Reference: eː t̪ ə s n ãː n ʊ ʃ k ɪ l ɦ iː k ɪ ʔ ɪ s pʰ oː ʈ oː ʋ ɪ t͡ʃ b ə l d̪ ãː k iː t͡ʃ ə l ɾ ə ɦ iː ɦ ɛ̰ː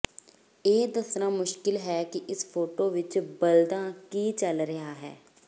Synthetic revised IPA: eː d̪ ə s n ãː m ʊ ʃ k ɪ l ɦ ɛː k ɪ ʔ ɪ s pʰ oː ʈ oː ʋ ɪ t͡ʃ b ə l d̪ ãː k iː t͡ʃ ə l ɾ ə ɦ aː ɦ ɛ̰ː